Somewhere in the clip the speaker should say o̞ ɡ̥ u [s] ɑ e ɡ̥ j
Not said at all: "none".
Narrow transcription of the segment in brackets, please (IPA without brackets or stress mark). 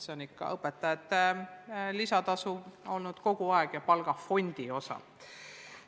none